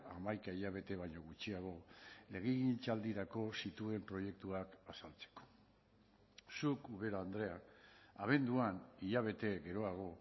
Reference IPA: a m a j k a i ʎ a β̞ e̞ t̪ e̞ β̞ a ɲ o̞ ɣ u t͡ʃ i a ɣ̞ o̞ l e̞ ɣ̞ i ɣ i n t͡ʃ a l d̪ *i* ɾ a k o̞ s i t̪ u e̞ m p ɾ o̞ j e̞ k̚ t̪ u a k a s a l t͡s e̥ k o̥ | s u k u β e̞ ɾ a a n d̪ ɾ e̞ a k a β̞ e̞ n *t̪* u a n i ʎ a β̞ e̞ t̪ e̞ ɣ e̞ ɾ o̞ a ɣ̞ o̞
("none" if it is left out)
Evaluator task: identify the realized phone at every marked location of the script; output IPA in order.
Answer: i, d̪

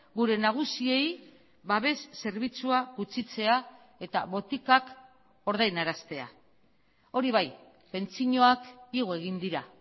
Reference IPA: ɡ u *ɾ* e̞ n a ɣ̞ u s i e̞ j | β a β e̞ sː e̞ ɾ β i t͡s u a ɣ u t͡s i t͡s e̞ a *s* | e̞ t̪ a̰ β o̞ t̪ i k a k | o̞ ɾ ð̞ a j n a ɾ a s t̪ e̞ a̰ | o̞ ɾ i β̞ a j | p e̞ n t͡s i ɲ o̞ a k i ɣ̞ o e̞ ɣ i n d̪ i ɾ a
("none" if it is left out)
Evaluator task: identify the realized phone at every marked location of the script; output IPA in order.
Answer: ɾ, none

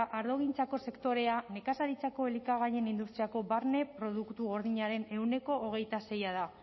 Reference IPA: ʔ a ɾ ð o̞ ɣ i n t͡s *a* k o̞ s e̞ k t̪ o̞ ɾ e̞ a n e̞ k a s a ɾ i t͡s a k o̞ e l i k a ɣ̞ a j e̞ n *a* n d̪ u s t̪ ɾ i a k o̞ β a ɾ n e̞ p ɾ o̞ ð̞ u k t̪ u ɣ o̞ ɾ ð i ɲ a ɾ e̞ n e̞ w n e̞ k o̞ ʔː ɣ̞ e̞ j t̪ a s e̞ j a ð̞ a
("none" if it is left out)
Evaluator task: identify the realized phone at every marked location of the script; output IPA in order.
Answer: a, i

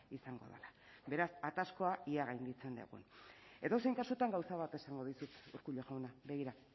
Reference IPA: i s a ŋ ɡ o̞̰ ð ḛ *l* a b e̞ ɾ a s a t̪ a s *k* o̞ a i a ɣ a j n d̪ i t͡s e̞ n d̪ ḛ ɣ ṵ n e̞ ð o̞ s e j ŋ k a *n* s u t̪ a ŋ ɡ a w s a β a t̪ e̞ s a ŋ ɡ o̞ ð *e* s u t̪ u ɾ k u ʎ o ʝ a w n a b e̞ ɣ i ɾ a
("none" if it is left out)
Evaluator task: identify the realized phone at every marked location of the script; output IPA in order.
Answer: l, k, none, i

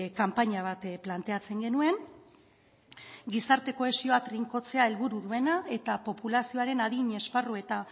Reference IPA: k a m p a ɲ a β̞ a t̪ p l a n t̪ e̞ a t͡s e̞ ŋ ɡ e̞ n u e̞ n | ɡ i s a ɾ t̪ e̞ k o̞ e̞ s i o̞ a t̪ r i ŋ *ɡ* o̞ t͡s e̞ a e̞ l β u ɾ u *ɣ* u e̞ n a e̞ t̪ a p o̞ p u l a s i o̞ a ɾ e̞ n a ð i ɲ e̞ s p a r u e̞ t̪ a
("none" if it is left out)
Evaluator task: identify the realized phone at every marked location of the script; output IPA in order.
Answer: k, ð

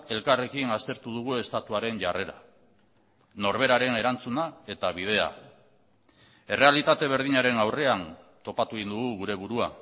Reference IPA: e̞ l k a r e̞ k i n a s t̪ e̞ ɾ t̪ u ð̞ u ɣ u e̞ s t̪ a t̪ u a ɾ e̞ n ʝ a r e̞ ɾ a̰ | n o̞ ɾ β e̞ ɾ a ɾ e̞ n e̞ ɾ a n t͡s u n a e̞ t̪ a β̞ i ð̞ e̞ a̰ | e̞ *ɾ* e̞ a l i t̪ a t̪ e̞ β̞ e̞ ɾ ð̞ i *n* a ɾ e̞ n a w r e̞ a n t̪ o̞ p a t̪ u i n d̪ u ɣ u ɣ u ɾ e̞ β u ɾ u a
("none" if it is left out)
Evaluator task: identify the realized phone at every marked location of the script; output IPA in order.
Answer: r, ɲ

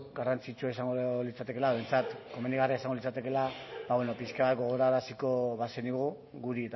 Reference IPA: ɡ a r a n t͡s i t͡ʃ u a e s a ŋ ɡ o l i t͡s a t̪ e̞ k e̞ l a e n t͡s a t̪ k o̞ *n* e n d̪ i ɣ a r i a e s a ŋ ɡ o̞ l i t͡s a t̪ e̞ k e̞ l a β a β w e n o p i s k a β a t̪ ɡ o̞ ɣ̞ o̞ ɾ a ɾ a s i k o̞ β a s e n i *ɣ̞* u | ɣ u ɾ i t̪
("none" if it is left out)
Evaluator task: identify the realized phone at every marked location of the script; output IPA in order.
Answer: m, ɣ̞

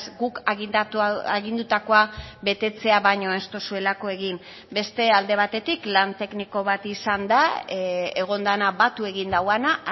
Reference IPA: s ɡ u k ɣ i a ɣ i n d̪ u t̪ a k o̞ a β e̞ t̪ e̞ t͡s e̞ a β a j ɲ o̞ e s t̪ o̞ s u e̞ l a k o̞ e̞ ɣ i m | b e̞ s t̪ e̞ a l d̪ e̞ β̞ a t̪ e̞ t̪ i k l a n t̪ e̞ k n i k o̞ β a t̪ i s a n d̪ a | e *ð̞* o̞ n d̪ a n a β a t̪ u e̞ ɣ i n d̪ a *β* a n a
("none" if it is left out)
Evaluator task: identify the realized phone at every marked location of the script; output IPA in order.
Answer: ɣ̞, w

